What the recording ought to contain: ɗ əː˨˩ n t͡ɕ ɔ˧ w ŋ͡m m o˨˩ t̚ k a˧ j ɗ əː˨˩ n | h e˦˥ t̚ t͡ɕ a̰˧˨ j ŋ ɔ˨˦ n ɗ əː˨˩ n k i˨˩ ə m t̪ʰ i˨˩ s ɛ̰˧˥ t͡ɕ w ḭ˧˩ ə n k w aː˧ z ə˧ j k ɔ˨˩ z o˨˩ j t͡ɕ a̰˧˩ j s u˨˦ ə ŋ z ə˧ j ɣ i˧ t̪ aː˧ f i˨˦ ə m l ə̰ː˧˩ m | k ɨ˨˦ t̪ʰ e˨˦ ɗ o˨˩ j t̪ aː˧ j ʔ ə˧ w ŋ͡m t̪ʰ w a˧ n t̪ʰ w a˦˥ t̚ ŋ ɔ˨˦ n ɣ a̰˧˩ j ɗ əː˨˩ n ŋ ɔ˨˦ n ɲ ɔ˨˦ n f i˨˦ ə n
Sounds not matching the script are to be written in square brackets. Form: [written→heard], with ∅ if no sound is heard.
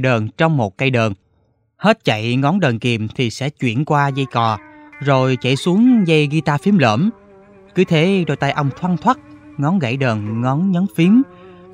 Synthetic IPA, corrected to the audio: ɗ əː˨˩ n t͡ɕ ɔ˧ w ŋ͡m m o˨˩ t̚ k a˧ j ɗ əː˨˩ n | h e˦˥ t̚ t͡ɕ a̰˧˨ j ŋ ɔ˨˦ n ɗ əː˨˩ n k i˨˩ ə m t̪ʰ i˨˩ s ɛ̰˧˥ t͡ɕ w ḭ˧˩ ə n k w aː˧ z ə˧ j k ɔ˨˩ z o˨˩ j t͡ɕ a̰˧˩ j s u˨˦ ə ŋ z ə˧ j ɣ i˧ t̪ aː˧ f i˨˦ ə m l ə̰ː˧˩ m | k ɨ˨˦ t̪ʰ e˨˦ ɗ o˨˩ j t̪ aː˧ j ʔ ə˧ w ŋ͡m t̪ʰ w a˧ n t̪ʰ w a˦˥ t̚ ŋ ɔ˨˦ n ɣ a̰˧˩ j ɗ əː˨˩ n ŋ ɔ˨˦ n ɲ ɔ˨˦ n f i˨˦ ə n